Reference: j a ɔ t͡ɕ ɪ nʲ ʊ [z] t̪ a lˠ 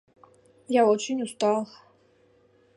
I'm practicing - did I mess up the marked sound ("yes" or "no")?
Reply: yes